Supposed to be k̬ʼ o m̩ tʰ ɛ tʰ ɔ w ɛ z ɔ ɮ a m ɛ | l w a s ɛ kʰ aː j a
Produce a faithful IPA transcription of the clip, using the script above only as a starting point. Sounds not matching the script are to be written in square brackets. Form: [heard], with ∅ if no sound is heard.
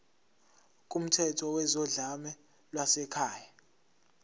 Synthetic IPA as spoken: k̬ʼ [u] m̩ tʰ ɛ tʰ ɔ w ɛ z ɔ ɮ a m ɛ | l w a s ɛ kʰ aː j a

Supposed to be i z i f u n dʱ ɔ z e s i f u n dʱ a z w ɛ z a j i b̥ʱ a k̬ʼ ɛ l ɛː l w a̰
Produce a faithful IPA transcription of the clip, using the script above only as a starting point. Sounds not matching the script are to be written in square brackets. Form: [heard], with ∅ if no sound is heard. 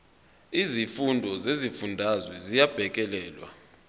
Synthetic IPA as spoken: i z i f u n dʱ ɔ z e [z] i f u n dʱ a z w ɛ z [i] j [a] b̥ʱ [ɛ] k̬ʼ ɛ l ɛː l w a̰

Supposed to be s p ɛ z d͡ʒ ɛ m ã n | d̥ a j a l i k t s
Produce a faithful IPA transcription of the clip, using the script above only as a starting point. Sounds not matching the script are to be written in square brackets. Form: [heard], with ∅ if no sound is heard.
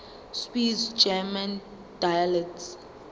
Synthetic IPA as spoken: s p [i] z d͡ʒ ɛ m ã n | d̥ a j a l [ɛ] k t s

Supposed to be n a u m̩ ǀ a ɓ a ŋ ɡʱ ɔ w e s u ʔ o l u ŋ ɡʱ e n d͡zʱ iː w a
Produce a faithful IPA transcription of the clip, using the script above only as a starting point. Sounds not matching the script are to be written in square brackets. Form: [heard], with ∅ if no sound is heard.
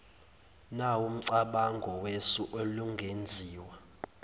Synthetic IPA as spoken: n a u m̩ ǀ a ɓ a ŋ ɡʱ ɔ w e s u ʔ o l u ŋ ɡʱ e n d͡zʱ iː w a

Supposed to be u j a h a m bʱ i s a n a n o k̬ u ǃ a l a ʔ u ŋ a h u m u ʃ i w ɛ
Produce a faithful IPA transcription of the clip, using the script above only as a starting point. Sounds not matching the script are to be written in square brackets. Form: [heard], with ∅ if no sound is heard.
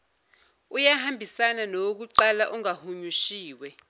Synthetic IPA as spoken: u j a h a m bʱ i s a n a n o k̬ u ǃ a l a ʔ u ŋ a h u [ɲ] u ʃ [iː] w ɛ

